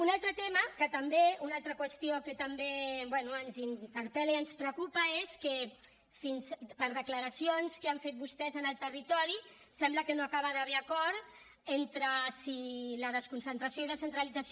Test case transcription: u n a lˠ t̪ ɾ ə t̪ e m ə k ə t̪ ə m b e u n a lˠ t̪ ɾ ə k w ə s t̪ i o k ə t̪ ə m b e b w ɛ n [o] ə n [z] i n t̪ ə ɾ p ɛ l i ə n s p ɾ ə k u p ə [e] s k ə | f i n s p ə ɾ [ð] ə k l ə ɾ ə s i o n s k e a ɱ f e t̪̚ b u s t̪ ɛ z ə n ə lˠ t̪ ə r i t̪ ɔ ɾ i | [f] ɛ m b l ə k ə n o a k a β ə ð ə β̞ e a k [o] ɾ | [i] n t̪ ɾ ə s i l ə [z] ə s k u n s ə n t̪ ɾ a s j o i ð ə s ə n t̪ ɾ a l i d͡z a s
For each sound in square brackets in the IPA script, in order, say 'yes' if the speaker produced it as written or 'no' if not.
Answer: no, yes, yes, yes, no, no, no, no

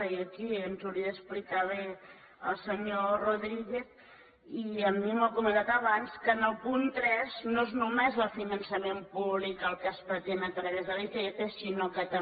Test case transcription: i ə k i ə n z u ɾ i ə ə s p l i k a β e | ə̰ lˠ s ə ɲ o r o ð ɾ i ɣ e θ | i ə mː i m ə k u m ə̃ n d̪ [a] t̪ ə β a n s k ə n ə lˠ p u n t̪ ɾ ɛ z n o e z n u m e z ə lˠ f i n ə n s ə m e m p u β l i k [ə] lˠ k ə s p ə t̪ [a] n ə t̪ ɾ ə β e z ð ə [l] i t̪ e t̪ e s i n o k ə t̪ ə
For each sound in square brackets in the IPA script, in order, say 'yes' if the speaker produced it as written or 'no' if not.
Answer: yes, yes, no, yes

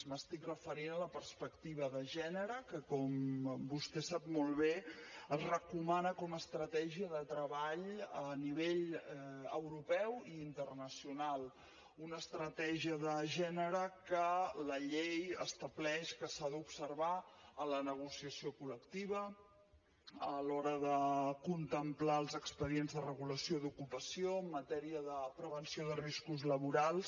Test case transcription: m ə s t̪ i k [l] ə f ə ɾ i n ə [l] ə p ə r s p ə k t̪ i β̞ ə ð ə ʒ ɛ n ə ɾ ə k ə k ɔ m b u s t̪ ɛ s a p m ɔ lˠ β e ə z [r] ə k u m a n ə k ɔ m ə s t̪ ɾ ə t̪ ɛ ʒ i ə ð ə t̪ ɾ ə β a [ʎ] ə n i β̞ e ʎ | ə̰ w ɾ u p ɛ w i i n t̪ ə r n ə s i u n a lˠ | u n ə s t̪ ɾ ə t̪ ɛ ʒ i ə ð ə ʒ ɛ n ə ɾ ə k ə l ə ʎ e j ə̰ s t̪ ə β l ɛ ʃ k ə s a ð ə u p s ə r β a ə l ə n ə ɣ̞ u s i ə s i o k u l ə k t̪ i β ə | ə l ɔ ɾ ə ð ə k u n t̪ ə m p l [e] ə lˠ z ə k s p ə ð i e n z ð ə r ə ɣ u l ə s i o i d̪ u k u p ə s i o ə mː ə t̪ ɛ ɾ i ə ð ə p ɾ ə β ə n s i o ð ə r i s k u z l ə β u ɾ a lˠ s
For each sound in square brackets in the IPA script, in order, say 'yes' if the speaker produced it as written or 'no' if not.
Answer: no, yes, yes, yes, no

